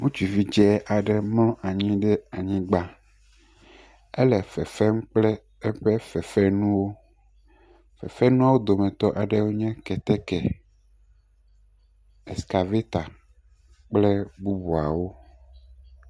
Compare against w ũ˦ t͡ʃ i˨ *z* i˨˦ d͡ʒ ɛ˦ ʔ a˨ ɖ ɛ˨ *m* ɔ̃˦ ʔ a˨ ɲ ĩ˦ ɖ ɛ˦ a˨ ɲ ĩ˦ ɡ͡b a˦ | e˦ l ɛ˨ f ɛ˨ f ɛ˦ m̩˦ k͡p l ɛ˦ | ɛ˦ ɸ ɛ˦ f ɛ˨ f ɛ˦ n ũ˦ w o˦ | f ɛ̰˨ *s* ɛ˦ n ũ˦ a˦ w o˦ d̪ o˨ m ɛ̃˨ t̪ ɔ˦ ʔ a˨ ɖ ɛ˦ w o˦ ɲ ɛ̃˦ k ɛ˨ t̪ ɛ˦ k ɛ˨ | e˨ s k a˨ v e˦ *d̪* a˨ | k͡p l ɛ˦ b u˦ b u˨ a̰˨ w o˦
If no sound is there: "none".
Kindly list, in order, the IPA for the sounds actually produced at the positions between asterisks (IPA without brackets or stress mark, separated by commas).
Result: v, m, f, t̪